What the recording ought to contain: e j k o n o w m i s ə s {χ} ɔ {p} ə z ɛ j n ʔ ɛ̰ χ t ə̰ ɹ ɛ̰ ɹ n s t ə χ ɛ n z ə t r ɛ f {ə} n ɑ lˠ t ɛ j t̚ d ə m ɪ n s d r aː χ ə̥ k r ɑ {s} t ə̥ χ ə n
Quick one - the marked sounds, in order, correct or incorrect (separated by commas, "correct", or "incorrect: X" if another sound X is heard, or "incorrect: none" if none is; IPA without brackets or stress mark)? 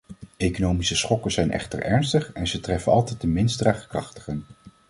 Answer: correct, incorrect: k, correct, incorrect: χ